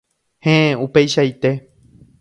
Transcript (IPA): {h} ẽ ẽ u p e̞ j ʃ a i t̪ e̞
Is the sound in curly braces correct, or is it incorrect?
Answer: correct